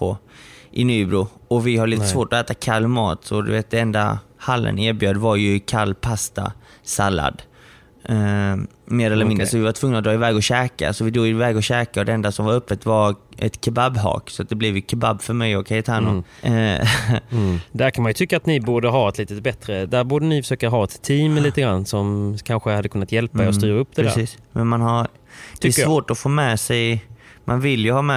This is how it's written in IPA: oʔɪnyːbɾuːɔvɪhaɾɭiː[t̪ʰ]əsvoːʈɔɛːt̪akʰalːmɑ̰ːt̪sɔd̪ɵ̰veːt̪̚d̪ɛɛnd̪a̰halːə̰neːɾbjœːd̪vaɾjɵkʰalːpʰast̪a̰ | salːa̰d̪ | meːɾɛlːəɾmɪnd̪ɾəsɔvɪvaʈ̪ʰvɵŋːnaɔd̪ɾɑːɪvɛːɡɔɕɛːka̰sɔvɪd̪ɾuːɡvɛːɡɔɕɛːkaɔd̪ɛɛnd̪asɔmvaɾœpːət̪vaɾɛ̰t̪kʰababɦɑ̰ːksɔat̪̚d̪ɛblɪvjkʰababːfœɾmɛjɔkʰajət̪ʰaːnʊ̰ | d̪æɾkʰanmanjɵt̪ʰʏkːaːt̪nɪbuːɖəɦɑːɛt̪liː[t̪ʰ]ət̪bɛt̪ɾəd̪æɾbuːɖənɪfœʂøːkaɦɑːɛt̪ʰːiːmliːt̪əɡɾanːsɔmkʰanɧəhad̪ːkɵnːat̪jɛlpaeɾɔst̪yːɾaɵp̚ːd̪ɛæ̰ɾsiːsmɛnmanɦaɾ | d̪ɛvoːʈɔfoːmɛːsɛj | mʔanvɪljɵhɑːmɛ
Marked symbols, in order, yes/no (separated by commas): no, no